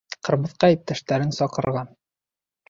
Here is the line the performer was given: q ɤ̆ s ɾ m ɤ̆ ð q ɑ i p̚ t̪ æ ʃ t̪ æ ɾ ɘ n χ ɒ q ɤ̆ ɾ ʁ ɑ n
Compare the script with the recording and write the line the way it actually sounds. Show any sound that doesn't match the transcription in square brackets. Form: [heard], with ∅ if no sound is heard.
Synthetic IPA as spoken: q ɤ̆ [∅] ɾ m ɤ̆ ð q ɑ i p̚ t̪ æ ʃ t̪ æ ɾ ɘ n [s] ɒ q ɤ̆ ɾ ʁ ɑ n

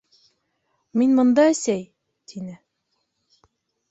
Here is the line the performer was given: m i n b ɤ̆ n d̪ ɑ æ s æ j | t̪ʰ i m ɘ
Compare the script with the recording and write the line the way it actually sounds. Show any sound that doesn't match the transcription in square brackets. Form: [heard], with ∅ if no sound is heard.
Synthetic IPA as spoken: m i n [m] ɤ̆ n d̪ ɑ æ s æ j | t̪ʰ i [n] ɘ

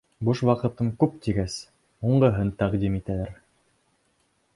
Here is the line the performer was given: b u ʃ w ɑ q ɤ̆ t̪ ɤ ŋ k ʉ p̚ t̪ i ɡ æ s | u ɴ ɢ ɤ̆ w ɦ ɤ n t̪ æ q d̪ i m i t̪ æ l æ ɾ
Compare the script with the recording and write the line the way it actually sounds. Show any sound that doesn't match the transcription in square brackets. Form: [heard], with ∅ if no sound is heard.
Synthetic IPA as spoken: b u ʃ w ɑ q ɤ̆ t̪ ɤ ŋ k ʉ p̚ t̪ i ɡ æ s | u ɴ ɢ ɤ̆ [∅] ɦ ɤ n t̪ æ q d̪ i m i t̪ æ l æ ɾ

